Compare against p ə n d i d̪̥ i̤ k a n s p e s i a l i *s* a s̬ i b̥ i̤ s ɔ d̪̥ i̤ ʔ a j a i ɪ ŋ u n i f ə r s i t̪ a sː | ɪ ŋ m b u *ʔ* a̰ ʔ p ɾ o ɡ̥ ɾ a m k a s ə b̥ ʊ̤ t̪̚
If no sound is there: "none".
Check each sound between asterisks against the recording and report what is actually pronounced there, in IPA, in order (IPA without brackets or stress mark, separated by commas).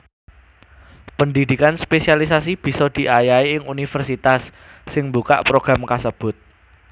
s, k